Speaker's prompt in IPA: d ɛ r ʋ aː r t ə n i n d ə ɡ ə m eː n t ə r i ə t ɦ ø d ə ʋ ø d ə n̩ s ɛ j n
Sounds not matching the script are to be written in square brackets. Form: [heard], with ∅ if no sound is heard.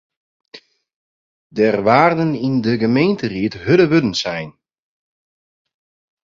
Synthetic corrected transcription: d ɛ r ʋ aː r [d] ə n i n d ə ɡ ə m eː n t ə r i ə t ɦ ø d ə ʋ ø d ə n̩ s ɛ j n